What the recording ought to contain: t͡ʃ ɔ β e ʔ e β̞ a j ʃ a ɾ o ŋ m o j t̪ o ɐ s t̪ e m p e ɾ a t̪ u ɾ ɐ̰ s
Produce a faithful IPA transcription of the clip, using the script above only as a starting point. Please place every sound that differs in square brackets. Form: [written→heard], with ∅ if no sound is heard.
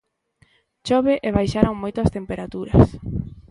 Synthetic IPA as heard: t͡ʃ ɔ β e ʔ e β̞ a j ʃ a ɾ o ŋ m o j t̪ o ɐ s t̪ e m p e ɾ a t̪ u ɾ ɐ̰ s